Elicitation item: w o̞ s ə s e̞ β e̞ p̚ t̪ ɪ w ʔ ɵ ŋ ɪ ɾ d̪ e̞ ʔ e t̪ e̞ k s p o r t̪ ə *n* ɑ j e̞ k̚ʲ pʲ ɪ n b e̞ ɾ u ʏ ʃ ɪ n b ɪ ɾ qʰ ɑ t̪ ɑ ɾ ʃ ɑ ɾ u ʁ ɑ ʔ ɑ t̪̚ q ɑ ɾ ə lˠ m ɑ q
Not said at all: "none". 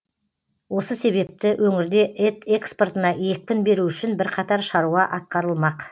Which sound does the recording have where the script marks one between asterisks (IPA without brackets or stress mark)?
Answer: n